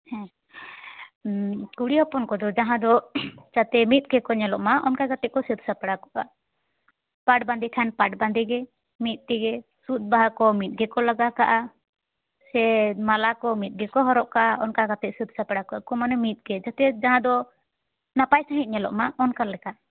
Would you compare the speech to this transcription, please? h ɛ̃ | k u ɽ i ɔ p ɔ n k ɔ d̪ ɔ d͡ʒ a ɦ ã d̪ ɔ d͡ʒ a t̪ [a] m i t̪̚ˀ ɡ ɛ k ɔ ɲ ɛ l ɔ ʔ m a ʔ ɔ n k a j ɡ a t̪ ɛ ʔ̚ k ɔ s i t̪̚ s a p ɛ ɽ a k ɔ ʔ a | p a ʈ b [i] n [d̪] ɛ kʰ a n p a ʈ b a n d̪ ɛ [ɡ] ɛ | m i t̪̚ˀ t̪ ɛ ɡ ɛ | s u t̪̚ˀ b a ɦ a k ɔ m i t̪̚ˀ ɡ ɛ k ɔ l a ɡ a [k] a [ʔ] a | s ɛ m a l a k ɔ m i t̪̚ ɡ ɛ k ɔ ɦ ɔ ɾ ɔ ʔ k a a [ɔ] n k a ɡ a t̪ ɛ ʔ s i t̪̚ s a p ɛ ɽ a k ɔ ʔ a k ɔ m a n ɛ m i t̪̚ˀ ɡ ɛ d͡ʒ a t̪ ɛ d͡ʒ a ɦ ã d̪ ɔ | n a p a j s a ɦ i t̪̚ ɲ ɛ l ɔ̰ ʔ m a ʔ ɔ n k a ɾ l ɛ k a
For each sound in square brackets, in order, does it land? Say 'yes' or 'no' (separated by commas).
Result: no, no, yes, yes, yes, yes, yes